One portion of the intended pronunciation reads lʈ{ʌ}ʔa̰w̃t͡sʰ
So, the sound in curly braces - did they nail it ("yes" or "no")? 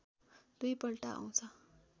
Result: no